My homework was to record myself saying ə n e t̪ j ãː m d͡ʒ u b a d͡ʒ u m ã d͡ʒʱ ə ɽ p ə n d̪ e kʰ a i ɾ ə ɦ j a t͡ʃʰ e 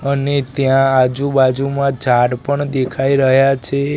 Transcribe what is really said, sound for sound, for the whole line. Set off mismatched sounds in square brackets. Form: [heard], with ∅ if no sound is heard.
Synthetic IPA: ə n e t̪ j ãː [∅] d͡ʒ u b a d͡ʒ u m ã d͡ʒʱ [a] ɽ p ə [ɳ] d̪ e kʰ a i ɾ ə ɦ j a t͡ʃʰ e